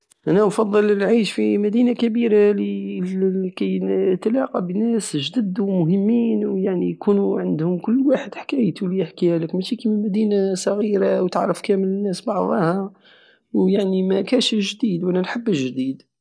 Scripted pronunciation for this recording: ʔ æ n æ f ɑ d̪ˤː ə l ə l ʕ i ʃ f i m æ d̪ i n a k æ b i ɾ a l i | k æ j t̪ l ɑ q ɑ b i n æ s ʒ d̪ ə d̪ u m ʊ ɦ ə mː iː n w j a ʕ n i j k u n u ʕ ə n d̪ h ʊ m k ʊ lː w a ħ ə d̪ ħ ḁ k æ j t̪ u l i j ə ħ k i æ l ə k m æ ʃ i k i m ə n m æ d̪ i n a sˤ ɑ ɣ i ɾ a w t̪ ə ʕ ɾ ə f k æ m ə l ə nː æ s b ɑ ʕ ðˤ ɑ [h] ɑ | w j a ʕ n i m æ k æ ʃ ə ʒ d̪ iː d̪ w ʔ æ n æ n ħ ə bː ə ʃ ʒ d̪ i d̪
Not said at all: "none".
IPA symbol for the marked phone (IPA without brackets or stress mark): h